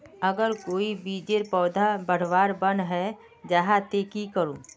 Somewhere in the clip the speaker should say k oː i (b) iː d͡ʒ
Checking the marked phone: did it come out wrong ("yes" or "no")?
no